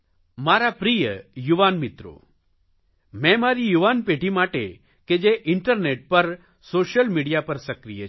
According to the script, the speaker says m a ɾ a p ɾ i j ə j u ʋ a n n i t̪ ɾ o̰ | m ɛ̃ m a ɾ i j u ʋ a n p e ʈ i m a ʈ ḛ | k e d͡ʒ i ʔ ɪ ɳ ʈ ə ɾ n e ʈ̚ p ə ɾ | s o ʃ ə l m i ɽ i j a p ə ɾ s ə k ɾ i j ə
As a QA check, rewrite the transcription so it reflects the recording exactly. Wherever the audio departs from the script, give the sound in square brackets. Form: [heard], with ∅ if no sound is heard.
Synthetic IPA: m a ɾ a p ɾ i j ə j u ʋ a n [m] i t̪ ɾ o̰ | m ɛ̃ m a ɾ i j u ʋ a n p e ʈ i m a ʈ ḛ | k e d͡ʒ [e] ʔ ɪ ɳ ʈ ə ɾ n e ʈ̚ p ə ɾ | s o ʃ ə l m i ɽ i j a p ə ɾ s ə k ɾ i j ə